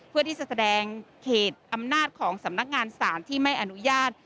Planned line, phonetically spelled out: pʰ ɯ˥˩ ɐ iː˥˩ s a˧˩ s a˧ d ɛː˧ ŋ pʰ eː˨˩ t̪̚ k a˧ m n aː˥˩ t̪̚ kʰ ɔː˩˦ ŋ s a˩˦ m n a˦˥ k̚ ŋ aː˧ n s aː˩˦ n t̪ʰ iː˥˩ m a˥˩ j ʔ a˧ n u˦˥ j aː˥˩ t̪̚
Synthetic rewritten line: pʰ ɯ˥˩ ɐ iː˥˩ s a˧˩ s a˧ d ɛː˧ ŋ kʰ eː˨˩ t̪̚ ʔ a˧ m n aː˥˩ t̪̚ kʰ ɔː˩˦ ŋ s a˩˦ m n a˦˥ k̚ ŋ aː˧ n s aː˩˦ n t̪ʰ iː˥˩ m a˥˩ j ʔ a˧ n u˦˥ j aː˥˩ t̪̚